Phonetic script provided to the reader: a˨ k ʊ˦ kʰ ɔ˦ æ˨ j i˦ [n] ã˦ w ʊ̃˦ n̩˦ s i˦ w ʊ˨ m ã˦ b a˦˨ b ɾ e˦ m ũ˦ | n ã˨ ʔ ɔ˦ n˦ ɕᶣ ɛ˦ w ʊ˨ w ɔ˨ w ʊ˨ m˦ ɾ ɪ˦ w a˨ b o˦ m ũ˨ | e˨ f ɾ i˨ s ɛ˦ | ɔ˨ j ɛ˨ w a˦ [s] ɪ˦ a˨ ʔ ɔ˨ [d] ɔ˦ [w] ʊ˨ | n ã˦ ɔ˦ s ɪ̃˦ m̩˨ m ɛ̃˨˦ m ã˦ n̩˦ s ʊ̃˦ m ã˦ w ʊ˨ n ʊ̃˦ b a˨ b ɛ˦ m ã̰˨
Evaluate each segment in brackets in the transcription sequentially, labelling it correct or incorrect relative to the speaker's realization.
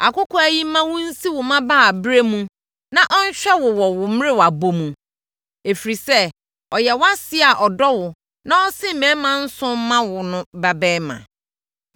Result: incorrect: m, correct, correct, correct

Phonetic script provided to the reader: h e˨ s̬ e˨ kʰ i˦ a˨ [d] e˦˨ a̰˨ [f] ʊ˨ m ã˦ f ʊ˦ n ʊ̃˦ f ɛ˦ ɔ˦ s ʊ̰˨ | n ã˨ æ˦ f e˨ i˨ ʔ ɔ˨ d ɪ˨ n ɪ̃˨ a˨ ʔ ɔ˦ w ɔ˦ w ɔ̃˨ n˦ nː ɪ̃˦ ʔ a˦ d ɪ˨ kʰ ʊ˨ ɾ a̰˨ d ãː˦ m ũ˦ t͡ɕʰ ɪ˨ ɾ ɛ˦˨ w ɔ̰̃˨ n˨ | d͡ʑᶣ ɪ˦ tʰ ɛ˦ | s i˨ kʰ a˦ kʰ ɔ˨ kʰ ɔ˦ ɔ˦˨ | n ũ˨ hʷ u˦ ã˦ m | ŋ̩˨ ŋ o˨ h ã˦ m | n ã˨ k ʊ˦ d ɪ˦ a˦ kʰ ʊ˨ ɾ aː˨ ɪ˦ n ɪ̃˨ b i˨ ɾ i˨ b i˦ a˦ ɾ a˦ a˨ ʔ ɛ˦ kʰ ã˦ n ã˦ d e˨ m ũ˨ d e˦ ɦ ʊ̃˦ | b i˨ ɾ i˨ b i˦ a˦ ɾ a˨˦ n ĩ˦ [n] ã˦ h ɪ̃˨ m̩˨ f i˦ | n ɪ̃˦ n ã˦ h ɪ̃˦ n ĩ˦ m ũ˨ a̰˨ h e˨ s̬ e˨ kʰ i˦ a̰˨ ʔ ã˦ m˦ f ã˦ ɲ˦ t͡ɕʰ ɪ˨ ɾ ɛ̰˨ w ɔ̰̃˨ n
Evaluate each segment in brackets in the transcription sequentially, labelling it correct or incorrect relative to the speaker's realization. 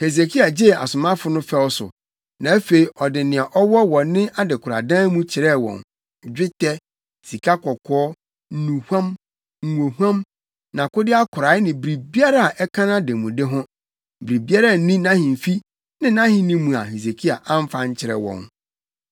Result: incorrect: d͡ʑ, incorrect: s, correct

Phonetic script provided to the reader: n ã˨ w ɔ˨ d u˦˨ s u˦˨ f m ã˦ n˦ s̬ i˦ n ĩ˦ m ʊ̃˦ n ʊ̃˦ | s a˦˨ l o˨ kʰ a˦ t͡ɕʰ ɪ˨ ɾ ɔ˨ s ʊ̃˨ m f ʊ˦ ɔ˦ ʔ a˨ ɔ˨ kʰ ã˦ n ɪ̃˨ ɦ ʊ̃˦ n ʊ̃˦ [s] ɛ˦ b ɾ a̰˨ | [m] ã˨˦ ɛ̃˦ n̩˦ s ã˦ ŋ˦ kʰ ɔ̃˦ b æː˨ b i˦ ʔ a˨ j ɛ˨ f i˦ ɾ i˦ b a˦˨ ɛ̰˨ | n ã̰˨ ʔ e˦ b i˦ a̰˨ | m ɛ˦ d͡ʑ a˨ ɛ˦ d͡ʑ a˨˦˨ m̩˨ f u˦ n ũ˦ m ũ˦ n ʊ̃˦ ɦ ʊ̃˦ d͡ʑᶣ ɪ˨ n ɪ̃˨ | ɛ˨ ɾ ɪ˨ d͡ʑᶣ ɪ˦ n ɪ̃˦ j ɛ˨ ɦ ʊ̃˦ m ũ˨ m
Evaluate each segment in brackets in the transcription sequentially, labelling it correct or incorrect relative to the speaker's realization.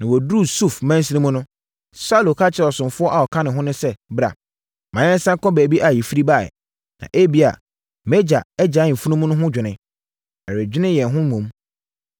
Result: correct, correct

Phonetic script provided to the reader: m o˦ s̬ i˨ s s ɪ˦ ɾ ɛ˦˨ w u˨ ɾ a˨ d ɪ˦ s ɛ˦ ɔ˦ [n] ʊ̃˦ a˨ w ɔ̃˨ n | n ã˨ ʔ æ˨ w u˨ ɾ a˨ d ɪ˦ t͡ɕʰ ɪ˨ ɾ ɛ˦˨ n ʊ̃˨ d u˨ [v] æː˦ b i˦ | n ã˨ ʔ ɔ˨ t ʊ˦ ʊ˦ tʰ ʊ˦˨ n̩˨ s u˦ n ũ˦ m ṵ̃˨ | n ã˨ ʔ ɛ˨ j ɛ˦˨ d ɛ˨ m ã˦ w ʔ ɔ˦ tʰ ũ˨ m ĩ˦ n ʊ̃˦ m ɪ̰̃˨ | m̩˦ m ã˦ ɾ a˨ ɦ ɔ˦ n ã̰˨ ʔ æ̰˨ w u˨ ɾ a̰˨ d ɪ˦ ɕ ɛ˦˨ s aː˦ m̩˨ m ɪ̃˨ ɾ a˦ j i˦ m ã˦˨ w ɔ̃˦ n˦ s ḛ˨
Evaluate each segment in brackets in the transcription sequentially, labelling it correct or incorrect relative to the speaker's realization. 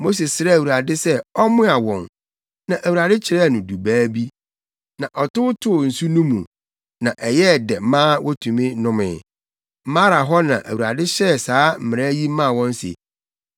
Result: incorrect: m, incorrect: b

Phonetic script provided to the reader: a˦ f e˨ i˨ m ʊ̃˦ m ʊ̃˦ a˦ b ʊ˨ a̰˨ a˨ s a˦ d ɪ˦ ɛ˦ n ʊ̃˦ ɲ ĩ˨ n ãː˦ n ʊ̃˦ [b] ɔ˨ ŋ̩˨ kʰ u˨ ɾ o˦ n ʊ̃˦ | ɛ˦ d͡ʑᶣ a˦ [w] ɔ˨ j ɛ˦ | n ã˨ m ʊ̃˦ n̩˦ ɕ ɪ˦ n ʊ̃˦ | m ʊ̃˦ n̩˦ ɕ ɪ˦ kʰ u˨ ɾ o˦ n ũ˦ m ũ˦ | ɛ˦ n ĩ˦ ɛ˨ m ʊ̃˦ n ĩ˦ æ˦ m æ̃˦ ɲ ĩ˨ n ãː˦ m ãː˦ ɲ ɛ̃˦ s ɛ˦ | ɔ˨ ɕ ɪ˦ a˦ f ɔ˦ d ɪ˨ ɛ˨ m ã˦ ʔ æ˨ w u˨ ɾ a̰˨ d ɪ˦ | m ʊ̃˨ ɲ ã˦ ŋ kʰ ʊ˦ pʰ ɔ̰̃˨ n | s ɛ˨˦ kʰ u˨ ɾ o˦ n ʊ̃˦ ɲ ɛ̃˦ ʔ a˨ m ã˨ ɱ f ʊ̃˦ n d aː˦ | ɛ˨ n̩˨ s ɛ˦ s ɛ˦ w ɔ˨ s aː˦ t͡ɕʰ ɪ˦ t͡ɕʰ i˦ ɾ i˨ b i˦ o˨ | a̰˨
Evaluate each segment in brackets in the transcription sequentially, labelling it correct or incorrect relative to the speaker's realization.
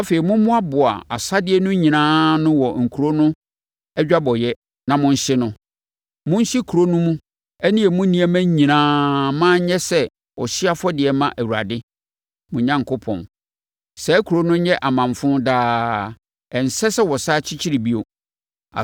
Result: incorrect: w, incorrect: b

